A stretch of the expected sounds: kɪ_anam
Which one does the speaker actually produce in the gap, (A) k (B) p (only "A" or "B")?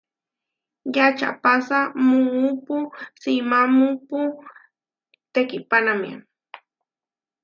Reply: B